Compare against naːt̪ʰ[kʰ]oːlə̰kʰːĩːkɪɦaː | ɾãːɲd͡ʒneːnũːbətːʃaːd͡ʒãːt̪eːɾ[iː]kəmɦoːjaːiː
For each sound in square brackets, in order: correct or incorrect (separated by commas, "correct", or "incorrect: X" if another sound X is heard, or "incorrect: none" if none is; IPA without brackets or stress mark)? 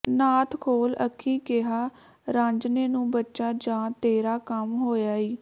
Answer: correct, incorrect: aː